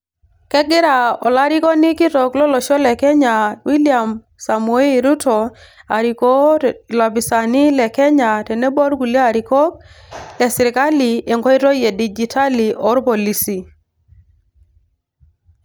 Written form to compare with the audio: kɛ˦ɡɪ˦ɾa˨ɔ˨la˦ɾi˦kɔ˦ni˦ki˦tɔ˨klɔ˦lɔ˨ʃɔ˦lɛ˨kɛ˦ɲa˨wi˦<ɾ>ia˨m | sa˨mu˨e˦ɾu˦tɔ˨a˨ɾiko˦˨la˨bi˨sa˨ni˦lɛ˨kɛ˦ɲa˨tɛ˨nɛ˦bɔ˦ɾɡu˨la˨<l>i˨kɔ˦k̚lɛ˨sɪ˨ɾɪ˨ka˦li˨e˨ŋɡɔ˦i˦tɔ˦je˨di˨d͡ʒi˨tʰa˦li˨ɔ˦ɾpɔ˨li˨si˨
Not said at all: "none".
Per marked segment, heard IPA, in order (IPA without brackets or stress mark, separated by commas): l, ɾ